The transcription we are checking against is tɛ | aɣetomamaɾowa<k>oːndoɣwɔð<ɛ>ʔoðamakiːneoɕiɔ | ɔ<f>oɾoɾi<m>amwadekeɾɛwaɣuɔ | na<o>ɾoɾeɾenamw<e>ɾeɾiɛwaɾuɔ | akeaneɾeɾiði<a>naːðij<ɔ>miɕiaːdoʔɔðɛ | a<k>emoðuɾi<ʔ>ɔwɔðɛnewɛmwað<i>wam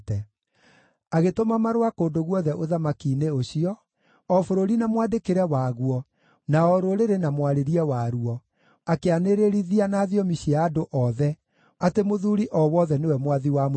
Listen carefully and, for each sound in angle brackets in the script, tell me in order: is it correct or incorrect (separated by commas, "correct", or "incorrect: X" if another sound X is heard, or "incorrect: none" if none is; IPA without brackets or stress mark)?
correct, correct, correct, incorrect: n, incorrect: ɔ, incorrect: a, correct, correct, incorrect: t, correct, correct